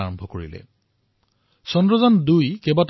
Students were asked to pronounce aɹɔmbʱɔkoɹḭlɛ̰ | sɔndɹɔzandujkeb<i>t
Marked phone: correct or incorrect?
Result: incorrect